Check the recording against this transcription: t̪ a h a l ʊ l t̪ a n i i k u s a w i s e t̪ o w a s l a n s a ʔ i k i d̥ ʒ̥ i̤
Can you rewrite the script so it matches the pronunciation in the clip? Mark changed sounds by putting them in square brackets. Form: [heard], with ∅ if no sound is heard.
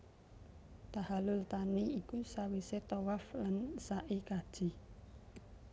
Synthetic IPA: t̪ a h a l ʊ l t̪ a n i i k u s a w i s e t̪ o w a [f] l a n s a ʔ i k [a] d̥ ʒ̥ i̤

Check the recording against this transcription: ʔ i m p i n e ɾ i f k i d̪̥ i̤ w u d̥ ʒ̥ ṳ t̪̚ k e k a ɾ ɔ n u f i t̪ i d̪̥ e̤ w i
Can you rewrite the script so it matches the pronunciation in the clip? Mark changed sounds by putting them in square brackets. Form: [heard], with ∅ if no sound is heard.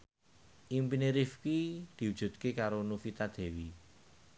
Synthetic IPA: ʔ i m p i n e ɾ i f k i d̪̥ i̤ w u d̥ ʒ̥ ṳ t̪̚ k e k a ɾ [o] n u f i t̪ [a] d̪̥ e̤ w i

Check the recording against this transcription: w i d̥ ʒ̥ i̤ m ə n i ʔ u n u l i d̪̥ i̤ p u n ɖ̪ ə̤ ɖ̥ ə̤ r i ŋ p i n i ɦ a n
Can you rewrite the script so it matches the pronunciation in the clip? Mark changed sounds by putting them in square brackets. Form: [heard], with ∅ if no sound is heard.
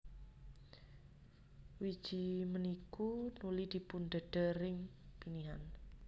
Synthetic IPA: w i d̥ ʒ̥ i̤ m ə n i [k] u n u l i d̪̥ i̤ p u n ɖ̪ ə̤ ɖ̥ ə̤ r [ɪ] ŋ p i n i ɦ a n

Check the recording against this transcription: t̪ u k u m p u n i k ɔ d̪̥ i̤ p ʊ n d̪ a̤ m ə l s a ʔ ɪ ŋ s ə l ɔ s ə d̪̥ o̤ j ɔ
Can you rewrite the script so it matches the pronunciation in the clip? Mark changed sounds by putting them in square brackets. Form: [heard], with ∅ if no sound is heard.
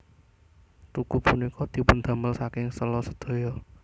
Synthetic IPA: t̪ u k u [∅] p u n i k ɔ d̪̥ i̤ p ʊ n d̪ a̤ m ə l s a [k] ɪ ŋ s ə l ɔ s ə d̪̥ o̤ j ɔ

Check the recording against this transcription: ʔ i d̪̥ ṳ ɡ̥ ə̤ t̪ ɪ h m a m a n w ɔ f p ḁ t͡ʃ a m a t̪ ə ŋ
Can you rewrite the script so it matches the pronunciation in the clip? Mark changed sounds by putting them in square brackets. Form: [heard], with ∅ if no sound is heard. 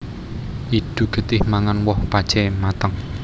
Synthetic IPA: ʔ i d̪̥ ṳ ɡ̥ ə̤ t̪ ɪ h m a [ŋ] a n w ɔ [h] p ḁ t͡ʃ [ɛ] m a t̪ ə ŋ

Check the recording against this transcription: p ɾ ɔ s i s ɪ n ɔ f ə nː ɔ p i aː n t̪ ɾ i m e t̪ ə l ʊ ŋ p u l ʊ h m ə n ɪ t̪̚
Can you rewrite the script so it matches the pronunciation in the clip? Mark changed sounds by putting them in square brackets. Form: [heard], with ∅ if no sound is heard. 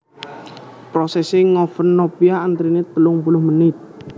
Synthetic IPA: p ɾ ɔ s [ɛ] s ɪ [ŋ] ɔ f ə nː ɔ p i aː n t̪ ɾ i [n] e t̪ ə l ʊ ŋ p u l ʊ h m ə n ɪ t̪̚

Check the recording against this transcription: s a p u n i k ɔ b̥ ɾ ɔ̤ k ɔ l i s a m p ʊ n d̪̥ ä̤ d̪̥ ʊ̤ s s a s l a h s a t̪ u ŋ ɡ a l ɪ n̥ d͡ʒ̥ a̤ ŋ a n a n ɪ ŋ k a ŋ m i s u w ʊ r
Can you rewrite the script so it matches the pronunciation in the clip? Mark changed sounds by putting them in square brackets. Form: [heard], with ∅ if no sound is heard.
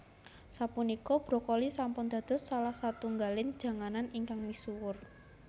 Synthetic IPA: s a p u n i k ɔ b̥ ɾ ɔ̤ k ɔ l i s a m p ʊ n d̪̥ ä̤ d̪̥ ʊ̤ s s a [∅] l a h s a t̪ u ŋ ɡ a l ɪ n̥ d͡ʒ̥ a̤ ŋ a n a n [i] ŋ k a ŋ m i s u w ʊ r

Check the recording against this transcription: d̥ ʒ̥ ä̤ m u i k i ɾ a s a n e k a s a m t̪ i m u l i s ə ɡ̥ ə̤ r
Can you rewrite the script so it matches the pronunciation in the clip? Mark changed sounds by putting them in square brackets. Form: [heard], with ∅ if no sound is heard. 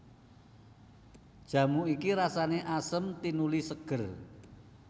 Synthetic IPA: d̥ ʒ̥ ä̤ m u i k i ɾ a s a n e [ʔ] a s [ə] m t̪ i [n] u l i s ə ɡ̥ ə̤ r

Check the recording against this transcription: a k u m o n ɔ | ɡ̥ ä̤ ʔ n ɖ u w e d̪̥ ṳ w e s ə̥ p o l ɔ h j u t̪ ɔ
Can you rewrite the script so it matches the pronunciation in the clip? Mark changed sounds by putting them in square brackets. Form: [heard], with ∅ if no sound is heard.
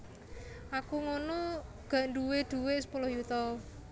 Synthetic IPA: a k u [ŋ] o n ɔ | ɡ̥ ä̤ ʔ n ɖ u w e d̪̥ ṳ w e s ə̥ p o l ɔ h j u t̪ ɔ

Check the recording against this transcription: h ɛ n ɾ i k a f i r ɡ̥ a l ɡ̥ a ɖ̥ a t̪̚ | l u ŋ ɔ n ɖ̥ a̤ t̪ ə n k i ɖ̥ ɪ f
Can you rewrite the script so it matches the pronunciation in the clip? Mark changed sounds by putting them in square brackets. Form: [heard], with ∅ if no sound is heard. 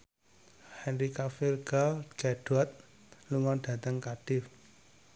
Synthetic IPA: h ɛ n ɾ i k a f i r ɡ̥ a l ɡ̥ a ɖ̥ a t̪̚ | l u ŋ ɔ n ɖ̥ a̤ t̪ ə [ŋ] k [a] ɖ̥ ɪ f

